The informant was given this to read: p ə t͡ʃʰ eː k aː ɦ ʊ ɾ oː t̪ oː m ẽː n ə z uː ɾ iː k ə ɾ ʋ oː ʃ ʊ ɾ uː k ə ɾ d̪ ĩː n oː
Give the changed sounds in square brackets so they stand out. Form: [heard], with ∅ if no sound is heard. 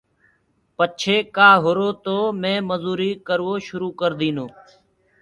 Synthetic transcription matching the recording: p ə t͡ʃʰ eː k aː ɦ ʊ ɾ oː t̪ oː m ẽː [m] ə z uː ɾ iː k ə ɾ ʋ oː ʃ ʊ ɾ uː k ə ɾ d̪ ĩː n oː